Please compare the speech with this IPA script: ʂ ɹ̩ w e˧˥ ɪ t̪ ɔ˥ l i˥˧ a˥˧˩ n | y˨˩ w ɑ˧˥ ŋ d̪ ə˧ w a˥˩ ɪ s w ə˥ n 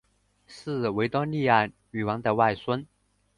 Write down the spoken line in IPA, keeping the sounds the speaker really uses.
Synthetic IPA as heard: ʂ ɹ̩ w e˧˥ ɪ t̪ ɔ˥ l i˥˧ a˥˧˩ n | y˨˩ w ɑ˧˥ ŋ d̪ ə˧ w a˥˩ ɪ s w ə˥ n